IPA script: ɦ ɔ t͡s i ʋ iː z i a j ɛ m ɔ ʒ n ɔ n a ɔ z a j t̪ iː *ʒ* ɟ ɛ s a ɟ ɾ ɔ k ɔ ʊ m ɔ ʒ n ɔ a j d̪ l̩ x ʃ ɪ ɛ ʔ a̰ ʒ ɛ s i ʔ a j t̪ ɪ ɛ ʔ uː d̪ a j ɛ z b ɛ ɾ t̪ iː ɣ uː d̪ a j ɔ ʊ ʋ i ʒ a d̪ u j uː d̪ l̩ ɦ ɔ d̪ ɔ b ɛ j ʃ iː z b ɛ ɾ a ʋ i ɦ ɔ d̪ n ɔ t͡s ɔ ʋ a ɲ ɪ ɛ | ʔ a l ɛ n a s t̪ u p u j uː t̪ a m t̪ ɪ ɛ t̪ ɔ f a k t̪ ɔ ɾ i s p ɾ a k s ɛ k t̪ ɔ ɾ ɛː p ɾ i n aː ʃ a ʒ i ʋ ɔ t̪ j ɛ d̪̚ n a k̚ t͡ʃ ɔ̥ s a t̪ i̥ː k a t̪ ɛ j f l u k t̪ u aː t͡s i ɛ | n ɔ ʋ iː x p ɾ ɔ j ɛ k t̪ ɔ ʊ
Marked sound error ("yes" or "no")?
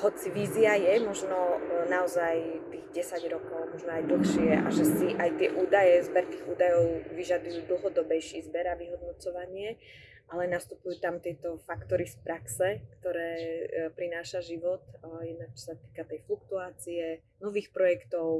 yes